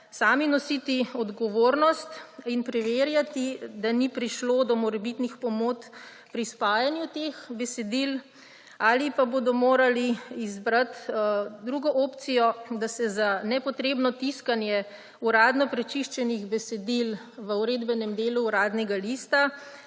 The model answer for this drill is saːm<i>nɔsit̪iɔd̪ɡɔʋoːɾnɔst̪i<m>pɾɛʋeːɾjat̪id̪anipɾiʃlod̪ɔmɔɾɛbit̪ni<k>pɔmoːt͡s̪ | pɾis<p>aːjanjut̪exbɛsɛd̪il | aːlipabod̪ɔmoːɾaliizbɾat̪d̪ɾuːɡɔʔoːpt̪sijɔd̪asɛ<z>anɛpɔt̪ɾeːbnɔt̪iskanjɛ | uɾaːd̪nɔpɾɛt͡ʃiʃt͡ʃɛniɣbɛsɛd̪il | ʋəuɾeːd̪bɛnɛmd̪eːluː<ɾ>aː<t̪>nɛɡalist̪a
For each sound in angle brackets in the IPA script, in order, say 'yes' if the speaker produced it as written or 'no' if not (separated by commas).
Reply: yes, no, no, yes, yes, yes, no